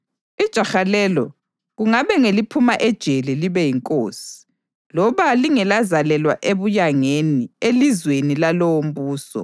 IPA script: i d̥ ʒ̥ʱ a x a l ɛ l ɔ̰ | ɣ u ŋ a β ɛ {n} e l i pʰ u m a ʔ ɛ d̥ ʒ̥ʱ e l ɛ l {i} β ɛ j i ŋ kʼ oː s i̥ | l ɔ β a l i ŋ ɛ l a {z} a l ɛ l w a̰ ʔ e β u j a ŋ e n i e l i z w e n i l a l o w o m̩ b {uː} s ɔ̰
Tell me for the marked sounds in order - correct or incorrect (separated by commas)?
incorrect, correct, correct, correct